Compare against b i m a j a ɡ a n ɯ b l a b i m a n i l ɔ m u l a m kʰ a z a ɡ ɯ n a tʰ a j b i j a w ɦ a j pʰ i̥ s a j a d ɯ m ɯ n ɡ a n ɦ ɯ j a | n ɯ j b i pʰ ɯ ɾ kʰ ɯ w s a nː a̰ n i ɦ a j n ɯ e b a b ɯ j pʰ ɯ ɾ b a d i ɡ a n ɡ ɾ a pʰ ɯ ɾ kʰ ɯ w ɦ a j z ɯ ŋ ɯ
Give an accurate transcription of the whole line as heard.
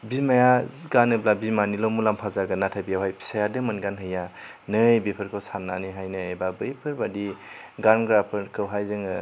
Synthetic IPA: b i m a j a ɡ a n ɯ b l a b i m a n i l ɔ m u l a m pʰ a z a ɡ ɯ n a tʰ a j b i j a w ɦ a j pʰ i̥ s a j a d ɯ m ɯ n ɡ a n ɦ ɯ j a | n ɯ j b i pʰ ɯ ɾ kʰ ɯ w s a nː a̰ n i ɦ a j n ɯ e b a b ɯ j pʰ ɯ ɾ b a d i ɡ a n ɡ ɾ a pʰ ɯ ɾ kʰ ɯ w ɦ a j z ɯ ŋ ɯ